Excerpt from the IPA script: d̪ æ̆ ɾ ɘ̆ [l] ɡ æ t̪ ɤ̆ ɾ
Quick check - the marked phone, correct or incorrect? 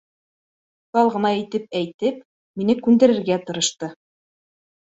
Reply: incorrect: ɾ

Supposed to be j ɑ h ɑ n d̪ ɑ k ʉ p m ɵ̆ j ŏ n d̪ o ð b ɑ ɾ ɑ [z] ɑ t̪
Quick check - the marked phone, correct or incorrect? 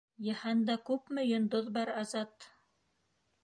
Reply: correct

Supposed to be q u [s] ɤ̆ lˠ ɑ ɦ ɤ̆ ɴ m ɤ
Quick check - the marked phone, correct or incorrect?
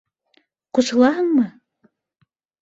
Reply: correct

